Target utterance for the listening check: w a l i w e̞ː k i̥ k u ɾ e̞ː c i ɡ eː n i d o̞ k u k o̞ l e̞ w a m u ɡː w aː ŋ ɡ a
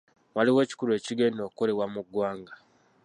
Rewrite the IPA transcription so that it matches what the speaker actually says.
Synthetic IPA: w a l i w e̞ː c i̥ k u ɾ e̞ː c i ɡ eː n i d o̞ k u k o̞ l e̞ w a m u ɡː w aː ŋ ɡ a